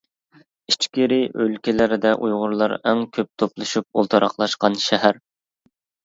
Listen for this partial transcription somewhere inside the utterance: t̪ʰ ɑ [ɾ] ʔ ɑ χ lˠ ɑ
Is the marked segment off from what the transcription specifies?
no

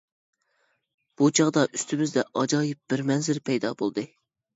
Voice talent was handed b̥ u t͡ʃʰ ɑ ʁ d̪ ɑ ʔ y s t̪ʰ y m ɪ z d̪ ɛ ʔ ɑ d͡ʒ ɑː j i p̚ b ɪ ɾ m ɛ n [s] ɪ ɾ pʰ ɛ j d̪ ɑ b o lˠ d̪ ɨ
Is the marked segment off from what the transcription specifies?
yes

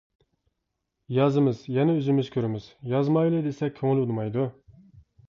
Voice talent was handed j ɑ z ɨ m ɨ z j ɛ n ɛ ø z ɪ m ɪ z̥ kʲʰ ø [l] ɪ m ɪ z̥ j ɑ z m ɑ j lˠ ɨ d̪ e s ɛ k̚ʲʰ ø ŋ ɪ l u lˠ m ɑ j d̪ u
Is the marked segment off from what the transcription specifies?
yes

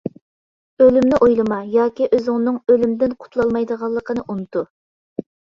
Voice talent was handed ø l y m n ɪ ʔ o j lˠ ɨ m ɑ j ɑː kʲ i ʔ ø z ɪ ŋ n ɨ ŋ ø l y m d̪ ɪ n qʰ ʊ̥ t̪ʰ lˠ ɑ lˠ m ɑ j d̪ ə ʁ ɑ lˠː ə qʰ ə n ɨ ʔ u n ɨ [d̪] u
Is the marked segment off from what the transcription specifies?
yes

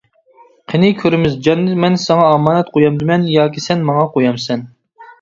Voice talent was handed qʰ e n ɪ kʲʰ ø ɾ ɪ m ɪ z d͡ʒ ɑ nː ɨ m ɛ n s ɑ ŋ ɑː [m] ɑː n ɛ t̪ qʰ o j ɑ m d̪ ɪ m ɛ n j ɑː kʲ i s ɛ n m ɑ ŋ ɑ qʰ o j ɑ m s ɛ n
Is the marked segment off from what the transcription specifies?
no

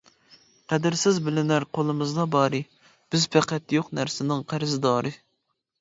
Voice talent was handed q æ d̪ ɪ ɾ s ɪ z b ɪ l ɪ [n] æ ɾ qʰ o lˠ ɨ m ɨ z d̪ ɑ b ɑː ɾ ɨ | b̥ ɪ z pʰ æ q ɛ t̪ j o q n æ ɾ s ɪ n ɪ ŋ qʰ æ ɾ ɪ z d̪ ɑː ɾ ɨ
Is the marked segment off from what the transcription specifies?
no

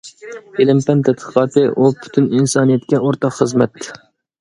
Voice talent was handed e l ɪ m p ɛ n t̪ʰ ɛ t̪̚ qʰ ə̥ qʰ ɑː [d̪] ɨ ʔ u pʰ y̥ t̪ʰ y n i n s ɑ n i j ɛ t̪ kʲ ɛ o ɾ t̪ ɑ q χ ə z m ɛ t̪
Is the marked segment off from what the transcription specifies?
yes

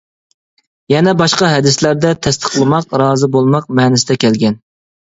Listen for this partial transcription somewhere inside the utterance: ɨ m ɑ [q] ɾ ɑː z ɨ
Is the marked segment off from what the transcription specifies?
no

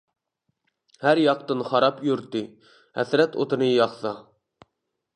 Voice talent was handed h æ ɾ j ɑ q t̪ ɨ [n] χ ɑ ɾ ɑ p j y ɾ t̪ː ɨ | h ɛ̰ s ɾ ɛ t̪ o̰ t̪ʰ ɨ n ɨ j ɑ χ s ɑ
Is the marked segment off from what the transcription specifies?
no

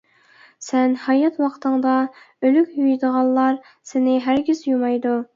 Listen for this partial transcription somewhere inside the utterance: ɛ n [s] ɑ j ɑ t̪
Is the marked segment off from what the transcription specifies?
yes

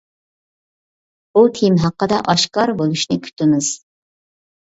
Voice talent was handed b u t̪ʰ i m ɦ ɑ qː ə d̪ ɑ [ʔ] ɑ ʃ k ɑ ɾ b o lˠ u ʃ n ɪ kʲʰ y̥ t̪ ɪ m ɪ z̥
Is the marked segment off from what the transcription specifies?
no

